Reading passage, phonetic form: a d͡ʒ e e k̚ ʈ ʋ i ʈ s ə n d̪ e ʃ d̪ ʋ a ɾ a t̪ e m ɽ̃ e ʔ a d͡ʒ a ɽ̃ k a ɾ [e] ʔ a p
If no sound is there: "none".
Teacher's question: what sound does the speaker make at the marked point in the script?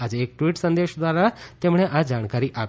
i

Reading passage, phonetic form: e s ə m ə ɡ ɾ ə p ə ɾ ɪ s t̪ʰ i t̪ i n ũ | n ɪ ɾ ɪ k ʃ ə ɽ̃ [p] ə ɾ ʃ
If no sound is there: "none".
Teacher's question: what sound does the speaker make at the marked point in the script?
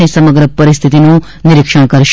k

